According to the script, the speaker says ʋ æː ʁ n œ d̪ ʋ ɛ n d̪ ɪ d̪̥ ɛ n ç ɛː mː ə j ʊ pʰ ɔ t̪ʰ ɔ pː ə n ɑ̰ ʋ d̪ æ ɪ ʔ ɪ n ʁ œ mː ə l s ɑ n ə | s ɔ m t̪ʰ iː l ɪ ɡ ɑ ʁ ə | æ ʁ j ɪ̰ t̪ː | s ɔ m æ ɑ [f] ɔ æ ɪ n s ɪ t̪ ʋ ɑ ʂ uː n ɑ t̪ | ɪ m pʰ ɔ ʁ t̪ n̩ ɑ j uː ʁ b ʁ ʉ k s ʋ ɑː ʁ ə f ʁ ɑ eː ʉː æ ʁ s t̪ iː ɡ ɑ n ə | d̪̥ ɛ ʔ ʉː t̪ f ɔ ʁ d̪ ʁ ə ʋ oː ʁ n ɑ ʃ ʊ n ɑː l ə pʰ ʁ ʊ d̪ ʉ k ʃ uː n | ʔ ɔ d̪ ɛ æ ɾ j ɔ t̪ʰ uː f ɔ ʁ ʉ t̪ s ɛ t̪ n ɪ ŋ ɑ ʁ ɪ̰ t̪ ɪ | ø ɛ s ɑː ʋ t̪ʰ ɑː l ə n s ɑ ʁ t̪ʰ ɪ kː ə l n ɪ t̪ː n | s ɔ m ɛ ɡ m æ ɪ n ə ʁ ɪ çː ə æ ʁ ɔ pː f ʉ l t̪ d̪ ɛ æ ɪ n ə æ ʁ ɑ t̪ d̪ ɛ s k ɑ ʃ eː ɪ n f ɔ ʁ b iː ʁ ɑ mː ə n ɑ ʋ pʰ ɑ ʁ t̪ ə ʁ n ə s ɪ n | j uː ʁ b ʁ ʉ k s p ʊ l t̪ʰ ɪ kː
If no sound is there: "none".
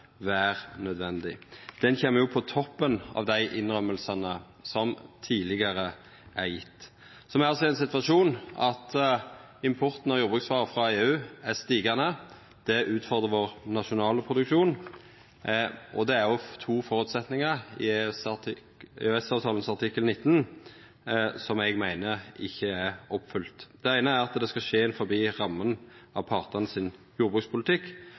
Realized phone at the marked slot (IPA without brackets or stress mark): s